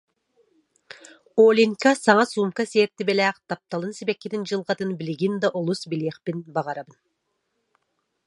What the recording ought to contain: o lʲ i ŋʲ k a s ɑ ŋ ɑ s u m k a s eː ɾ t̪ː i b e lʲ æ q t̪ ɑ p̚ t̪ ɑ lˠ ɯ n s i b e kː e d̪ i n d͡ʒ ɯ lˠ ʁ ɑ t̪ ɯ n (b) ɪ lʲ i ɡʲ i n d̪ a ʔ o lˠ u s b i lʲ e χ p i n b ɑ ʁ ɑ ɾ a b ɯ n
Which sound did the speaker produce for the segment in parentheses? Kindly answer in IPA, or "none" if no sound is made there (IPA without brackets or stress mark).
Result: b